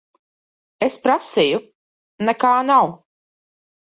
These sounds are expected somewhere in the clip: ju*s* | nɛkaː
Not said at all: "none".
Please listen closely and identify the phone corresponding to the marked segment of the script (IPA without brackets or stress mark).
none